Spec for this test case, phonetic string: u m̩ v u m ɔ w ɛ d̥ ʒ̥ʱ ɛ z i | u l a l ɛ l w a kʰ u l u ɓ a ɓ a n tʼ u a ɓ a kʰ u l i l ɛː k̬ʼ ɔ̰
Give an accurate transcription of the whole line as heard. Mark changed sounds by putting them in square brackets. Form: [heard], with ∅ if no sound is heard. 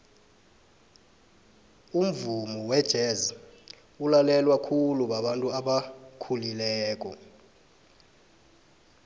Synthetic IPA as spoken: u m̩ v u m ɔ w ɛ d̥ ʒ̥ʱ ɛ z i | u l a l ɛ l w a kʰ u l u ɓ a ɓ a n tʼ u a ɓ a kʰ u l i l ɛː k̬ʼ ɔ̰